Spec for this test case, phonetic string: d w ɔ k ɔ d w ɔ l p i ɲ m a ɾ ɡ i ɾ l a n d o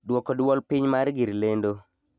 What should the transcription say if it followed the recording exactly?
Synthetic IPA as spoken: d w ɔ k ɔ d w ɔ l p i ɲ m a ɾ ɡ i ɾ l e n d o